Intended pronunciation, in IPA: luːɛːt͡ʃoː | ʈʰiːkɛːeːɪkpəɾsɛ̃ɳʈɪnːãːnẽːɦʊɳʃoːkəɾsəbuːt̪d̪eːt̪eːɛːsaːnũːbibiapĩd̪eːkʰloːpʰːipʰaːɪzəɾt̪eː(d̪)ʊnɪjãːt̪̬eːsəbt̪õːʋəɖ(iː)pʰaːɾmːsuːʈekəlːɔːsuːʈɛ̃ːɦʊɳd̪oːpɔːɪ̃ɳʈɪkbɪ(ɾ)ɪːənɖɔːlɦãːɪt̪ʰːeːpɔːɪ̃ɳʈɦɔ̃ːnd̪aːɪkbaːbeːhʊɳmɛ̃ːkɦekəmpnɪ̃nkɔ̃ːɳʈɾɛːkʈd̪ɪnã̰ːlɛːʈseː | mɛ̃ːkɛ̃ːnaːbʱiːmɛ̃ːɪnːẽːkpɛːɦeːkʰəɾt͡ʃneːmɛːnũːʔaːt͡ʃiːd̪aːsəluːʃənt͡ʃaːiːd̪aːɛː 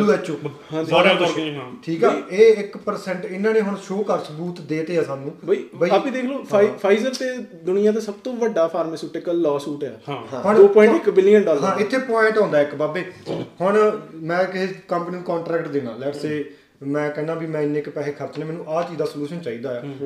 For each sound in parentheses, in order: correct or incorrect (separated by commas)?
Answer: correct, incorrect, incorrect